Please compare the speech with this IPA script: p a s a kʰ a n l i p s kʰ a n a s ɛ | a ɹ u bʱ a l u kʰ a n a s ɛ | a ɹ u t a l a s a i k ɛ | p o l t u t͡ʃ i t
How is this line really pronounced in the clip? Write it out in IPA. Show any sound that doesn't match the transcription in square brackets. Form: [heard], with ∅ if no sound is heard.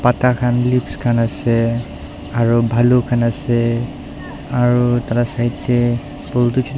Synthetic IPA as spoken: p a [t] a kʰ a n l i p s kʰ a n a s ɛ | a ɹ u bʱ a l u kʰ a n a s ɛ | a ɹ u t a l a s a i [t] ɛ | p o l t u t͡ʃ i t